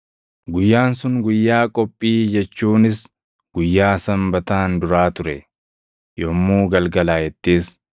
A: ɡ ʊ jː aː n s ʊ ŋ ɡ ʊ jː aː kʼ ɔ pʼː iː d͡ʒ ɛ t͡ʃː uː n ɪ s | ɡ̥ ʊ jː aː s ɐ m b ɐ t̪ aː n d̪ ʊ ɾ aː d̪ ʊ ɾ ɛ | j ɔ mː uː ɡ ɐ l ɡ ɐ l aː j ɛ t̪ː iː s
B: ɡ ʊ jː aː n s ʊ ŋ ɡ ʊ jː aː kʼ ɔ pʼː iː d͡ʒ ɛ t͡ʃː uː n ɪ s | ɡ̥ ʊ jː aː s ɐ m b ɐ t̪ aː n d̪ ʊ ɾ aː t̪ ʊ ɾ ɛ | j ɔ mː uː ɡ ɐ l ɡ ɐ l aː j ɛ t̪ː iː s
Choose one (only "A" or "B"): B